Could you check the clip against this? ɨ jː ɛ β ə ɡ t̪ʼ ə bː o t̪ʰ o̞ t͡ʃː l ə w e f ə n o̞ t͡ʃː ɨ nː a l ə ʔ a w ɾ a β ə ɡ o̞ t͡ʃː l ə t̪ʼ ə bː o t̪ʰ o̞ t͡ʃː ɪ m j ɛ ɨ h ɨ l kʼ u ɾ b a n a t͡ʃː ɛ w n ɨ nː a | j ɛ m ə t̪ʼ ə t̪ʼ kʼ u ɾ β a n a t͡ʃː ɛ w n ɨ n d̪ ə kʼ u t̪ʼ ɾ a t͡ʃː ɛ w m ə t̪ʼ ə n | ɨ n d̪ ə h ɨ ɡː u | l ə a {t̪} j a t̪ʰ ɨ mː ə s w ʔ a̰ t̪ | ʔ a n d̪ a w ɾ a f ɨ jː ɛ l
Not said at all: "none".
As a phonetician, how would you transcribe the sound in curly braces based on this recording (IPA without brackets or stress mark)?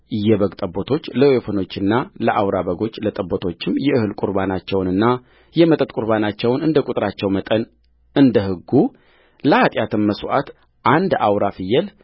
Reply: t̪ʼ